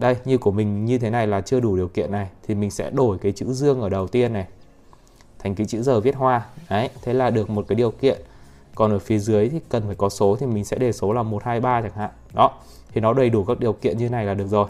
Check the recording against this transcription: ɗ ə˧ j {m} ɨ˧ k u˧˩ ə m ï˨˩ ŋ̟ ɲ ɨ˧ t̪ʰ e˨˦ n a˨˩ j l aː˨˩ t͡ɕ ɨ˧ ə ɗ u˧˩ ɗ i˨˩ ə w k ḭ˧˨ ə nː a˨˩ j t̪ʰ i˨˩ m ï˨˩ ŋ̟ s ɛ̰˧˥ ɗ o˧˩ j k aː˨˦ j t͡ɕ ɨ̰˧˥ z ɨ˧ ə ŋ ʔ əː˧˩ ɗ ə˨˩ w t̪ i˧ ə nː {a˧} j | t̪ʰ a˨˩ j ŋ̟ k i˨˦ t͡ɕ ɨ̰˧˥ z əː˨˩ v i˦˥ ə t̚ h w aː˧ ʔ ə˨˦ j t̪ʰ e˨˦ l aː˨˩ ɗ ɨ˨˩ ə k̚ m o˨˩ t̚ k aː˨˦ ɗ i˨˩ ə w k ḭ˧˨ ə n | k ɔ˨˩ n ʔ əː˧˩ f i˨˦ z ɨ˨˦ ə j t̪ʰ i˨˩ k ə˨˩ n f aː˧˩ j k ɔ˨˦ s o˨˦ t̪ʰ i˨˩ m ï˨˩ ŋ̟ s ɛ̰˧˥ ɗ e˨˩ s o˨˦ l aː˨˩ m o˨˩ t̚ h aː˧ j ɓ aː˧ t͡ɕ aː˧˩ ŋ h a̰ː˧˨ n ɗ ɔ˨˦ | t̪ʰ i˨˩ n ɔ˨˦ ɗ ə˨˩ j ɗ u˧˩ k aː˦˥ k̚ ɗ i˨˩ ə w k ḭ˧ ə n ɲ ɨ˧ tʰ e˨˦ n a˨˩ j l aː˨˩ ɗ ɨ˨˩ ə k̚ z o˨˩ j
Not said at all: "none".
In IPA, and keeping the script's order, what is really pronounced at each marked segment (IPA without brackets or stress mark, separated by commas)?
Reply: ɲ, a˨˩